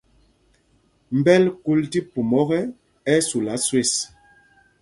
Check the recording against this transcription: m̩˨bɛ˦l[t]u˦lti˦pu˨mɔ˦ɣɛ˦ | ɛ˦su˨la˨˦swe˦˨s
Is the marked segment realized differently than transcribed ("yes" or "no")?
yes